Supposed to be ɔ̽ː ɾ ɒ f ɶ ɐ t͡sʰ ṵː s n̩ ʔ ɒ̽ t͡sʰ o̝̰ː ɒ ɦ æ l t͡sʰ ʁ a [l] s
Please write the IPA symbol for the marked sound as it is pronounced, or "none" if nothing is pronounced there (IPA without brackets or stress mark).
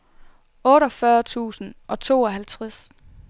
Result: none